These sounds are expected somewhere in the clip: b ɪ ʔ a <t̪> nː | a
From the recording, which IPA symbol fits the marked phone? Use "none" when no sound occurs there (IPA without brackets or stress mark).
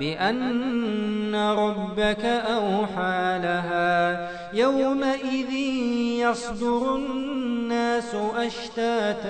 none